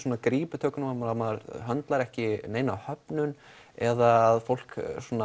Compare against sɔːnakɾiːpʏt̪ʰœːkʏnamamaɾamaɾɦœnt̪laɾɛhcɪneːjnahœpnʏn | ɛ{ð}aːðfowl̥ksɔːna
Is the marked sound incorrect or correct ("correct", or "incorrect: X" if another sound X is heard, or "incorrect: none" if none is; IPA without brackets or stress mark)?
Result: correct